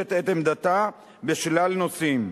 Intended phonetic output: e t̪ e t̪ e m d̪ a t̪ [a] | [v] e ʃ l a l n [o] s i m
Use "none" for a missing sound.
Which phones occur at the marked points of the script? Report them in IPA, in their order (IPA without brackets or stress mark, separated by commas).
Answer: a, b, o